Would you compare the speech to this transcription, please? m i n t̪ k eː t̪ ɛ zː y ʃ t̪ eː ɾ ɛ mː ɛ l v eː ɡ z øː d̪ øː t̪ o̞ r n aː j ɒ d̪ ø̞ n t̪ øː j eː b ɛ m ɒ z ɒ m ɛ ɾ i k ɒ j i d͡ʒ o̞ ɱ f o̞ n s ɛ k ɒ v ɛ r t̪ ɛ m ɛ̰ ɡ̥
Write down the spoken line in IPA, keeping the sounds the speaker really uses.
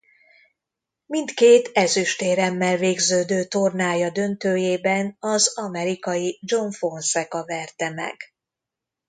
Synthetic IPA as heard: m i n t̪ k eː t̪ ɛ z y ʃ t̪ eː ɾ ɛ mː ɛ l v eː ɡ z øː d̪ øː t̪ o̞ r n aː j ɒ d̪ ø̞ n t̪ øː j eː b ɛ n ɒ z ɒ m ɛ ɾ i k ɒ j i d͡ʒ o̞ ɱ f o̞ n s ɛ k ɒ v ɛ r t̪ ɛ m ɛ̰ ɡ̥